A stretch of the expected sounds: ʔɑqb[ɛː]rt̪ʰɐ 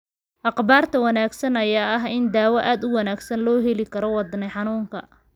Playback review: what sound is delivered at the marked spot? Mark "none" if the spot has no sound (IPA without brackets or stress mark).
aː